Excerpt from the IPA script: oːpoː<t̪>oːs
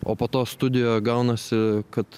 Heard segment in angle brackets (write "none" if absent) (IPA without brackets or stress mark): t̪